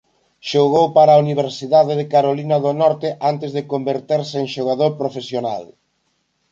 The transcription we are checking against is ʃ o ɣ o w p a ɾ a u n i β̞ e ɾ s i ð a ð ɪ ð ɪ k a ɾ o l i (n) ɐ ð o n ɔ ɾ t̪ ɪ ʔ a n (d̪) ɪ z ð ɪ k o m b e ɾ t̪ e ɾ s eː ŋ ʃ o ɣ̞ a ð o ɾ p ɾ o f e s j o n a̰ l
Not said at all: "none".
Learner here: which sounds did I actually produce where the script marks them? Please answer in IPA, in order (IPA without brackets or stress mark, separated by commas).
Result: n, t̪